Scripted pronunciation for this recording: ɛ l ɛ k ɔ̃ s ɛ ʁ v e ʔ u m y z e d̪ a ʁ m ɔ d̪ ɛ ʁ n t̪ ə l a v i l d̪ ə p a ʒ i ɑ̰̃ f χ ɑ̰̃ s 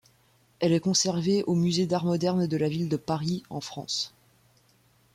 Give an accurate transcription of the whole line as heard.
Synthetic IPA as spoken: ɛ l ɛ k ɔ̃ s ɛ ʁ v e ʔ o m y z e d̪ a ʁ m ɔ d̪ ɛ ʁ n d̪ ə l a v i l d̪ ə p a ʁ i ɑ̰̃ f χ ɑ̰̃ s